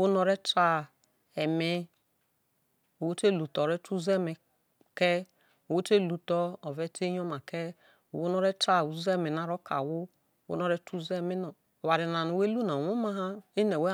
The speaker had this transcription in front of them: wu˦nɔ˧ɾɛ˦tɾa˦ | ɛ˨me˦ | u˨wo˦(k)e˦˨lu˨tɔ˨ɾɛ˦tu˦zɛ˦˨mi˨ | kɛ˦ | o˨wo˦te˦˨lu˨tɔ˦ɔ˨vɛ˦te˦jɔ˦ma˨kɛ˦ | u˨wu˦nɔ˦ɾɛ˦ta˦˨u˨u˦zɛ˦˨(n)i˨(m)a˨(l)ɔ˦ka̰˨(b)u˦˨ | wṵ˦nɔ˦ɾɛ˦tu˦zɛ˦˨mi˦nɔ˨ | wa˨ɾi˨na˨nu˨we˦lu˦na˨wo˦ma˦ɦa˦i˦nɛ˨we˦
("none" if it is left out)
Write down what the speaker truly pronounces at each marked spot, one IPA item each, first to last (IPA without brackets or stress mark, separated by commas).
t, m, n, ɾ, w